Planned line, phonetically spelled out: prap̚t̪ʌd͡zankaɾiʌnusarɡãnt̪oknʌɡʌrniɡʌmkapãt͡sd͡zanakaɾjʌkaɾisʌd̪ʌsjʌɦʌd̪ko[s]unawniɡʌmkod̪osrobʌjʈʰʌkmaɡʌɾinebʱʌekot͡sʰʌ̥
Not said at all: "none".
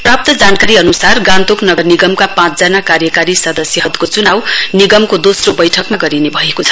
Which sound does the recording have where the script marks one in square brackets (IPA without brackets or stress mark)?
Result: t͡s